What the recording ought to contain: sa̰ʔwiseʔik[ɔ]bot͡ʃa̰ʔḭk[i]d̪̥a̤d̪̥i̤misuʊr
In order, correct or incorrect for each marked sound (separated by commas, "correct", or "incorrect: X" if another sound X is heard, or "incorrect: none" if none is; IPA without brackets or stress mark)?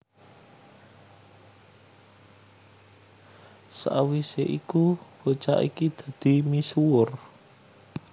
incorrect: u, correct